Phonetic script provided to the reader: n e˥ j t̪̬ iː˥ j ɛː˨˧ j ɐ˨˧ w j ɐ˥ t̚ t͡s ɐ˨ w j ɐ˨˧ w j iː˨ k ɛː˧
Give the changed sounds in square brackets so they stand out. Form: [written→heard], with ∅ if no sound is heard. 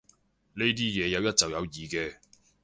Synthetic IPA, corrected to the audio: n e˥ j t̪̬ iː˥ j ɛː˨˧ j ɐ˨˧ w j ɐ˥ t̚ t͡s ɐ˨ w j ɐ˨˧ w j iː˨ k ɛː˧

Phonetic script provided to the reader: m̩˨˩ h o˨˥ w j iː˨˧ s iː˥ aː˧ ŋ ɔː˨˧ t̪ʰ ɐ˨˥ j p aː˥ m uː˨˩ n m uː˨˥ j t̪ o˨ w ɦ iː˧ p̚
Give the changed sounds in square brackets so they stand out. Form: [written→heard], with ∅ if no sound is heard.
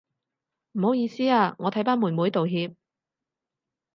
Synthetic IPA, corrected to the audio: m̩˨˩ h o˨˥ w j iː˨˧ s iː˥ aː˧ ŋ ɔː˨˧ t̪ʰ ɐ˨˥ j p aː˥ m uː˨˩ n m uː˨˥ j t̪ o˨ w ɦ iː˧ p̚

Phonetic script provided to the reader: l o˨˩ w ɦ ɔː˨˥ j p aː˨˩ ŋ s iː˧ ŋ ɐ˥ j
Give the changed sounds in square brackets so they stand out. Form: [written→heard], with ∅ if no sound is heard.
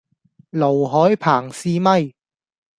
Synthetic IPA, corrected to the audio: l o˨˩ w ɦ ɔː˨˥ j [p→pʰ] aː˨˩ ŋ s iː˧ [ŋ→m] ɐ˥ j

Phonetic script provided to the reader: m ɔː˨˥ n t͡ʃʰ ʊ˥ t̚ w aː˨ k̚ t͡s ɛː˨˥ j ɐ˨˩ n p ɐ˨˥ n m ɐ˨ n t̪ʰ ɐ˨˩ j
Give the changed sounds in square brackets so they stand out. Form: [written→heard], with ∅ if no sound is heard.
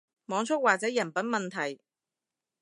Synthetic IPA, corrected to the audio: m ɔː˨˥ [n→ŋ] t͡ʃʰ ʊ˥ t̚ w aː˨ k̚ t͡s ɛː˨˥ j ɐ˨˩ n p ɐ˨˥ n m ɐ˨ n t̪ʰ ɐ˨˩ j

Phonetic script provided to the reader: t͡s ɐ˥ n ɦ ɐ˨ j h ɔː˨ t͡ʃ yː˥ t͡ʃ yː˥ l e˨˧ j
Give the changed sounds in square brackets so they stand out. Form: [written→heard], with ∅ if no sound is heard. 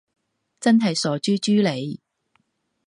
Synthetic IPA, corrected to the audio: t͡s ɐ˥ n ɦ ɐ˨ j [h→s] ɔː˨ t͡ʃ yː˥ t͡ʃ yː˥ l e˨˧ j

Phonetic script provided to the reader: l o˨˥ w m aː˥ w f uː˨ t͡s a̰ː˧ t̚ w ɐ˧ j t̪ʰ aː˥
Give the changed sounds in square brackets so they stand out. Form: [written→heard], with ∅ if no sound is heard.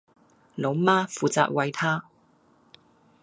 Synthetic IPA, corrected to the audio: l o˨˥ w m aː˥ [w→∅] f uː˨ t͡s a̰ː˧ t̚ w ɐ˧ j t̪ʰ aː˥

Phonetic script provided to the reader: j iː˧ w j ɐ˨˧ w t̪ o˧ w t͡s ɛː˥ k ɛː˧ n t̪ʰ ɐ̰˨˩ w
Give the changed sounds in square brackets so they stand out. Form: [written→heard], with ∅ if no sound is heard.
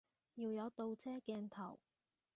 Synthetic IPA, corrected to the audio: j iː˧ w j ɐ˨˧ w t̪ o˧ w [t͡s→t͡sʰ] ɛː˥ k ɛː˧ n t̪ʰ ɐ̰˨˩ w

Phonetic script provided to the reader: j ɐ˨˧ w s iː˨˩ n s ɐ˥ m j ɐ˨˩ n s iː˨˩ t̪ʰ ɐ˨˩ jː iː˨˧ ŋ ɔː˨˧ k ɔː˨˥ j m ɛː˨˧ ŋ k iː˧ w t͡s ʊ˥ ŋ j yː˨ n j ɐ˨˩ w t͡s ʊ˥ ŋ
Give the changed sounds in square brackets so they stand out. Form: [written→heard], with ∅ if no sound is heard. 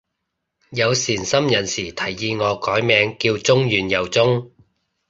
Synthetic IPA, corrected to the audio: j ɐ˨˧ w s iː˨˩ n s ɐ˥ m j ɐ˨˩ n s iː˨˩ t̪ʰ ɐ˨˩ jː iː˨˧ ŋ ɔː˨˧ k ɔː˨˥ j m ɛː˨˧ ŋ k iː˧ w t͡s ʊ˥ ŋ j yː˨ n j ɐ˨˩ w t͡s ʊ˥ ŋ

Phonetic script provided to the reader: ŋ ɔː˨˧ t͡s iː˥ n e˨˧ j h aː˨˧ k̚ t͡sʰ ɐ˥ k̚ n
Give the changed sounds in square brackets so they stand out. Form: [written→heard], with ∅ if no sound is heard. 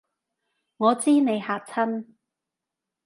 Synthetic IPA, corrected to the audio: ŋ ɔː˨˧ t͡s iː˥ n e˨˧ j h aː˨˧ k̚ t͡sʰ ɐ˥ [k̚→∅] n

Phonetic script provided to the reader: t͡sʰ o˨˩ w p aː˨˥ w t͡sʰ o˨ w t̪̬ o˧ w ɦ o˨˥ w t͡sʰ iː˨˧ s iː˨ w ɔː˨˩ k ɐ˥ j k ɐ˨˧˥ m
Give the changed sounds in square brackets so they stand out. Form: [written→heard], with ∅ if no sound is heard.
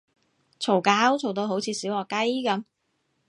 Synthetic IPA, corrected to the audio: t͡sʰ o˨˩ w [p→k] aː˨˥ w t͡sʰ o˨ w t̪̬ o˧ w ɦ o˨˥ w t͡sʰ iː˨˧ s [iː˨→iː˨˥] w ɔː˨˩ k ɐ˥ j k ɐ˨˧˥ m

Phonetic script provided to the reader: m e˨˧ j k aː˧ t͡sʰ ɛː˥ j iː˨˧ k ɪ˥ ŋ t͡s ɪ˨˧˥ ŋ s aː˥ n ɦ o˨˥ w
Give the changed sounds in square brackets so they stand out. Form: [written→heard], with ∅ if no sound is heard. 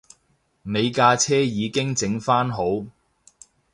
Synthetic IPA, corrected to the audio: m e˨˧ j k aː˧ t͡sʰ ɛː˥ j iː˨˧ k ɪ˥ ŋ t͡s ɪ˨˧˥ ŋ [s→f] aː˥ n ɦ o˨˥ w

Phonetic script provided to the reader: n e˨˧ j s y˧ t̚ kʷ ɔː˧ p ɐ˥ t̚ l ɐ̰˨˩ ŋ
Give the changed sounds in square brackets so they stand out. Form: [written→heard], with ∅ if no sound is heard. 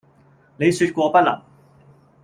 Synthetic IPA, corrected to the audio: n e˨˧ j s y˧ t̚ kʷ ɔː˧ p ɐ˥ t̚ l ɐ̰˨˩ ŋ

